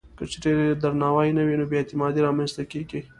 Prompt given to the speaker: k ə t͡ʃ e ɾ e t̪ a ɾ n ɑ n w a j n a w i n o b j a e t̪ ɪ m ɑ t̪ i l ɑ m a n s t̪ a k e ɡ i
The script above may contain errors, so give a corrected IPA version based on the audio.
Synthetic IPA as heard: k ə t͡ʃ e ɾ e d̪ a ɾ n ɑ w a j n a w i n o b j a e t̪ ɪ m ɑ d̪ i ɾ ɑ m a n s t̪ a k e ɡ i